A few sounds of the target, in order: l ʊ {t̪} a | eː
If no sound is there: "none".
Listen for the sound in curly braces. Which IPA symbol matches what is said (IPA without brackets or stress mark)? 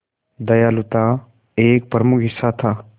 t̪